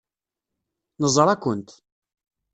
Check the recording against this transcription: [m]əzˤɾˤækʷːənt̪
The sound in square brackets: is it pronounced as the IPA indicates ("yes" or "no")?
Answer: no